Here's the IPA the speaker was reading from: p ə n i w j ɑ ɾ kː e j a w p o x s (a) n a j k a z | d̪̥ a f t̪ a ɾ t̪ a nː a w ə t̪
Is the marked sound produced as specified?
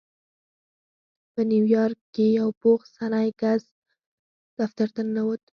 yes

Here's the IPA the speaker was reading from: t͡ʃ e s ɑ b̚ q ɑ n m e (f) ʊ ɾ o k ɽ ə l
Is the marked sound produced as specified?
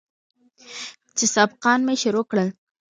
no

